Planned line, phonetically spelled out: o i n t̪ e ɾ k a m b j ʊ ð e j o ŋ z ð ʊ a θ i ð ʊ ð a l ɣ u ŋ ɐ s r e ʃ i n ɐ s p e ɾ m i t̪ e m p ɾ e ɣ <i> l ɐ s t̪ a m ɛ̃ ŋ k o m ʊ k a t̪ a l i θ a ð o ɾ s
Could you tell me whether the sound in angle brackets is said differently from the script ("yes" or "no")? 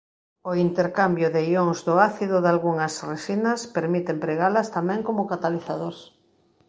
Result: yes